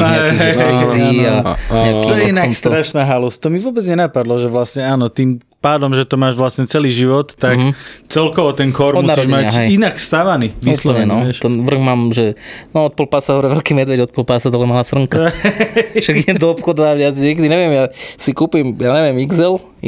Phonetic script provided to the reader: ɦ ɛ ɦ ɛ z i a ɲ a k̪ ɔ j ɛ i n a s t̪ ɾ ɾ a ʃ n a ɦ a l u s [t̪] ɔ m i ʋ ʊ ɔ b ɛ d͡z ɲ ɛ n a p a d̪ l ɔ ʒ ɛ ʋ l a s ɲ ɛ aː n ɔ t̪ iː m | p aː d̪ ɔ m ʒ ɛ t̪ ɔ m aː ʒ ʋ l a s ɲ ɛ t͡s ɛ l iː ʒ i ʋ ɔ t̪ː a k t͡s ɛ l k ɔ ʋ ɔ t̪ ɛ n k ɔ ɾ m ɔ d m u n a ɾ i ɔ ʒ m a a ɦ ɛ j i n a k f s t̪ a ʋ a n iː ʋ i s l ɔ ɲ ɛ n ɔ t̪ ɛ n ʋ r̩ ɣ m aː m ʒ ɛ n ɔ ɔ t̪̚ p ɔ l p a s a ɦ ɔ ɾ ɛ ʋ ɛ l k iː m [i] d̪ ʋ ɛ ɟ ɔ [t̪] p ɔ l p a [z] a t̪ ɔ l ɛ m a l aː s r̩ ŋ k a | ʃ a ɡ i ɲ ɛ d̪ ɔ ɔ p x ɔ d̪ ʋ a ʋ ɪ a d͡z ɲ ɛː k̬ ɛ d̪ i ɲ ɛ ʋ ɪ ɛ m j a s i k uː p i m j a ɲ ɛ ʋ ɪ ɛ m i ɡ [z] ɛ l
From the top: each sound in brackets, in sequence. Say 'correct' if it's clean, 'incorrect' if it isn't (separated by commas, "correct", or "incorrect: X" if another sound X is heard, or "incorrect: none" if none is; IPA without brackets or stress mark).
correct, incorrect: ɛ, correct, incorrect: s, correct